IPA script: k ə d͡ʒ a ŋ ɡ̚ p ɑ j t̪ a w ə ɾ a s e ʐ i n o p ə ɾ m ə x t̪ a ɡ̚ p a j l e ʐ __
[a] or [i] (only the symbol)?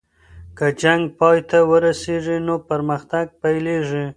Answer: i